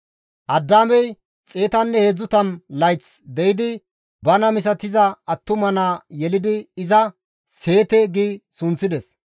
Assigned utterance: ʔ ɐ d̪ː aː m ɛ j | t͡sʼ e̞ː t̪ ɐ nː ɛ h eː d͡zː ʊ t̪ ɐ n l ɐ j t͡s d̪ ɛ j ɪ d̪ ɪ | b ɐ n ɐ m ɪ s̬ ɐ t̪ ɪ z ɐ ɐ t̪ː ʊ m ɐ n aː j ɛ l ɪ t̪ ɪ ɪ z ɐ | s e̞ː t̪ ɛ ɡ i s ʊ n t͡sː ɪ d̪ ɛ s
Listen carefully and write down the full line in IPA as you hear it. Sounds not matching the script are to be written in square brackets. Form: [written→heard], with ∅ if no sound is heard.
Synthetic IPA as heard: ʔ ɐ d̪ː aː m ɛ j | t͡sʼ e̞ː t̪ ɐ nː ɛ h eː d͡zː ʊ t̪ ɐ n l ɐ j t͡s d̪ ɛ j ɪ d̪ ɪ | b ɐ n ɐ m ɪ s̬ ɐ t̪ ɪ z ɐ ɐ t̪ː ʊ m ɐ n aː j ɛ l ɪ [t̪→d̪] ɪ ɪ z ɐ | s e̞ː t̪ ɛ ɡ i s ʊ n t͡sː ɪ d̪ ɛ s